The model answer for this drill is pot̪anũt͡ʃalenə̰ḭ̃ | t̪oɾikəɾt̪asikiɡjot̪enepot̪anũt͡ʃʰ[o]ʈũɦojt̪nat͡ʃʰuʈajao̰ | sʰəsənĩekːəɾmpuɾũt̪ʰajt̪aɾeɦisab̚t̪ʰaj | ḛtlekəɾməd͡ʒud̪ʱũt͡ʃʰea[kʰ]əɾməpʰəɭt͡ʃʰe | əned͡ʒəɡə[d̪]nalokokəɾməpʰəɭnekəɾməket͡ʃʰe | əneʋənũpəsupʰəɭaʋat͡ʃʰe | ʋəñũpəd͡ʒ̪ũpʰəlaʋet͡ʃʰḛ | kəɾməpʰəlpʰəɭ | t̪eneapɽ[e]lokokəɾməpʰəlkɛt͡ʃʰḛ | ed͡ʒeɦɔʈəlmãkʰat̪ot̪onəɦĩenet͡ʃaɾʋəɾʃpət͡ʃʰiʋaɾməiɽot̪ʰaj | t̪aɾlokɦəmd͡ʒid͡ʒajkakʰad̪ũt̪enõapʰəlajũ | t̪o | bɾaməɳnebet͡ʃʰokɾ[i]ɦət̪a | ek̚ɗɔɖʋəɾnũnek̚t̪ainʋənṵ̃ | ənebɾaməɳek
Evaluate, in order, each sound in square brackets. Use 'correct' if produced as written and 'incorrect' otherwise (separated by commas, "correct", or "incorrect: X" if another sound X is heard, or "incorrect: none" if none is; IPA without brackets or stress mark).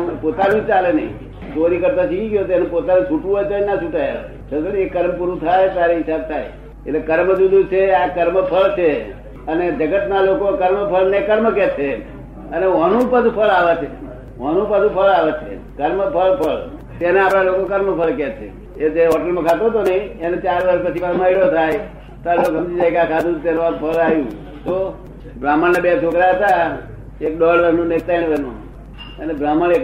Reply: incorrect: u, incorrect: k, incorrect: t̪, incorrect: a, incorrect: a